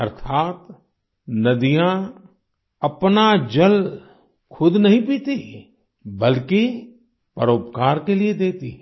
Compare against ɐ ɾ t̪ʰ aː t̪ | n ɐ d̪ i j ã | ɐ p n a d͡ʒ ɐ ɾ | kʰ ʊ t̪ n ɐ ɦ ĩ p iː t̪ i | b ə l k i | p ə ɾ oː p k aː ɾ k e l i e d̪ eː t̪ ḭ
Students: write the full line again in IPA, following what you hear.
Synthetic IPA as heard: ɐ ɾ t̪ʰ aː t̪ | n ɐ d̪ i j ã | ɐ p n a d͡ʒ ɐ l | kʰ ʊ d̪ n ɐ ɦ ĩ p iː t̪ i | b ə l k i | p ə ɾ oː p k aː ɾ k e l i e d̪ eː t̪ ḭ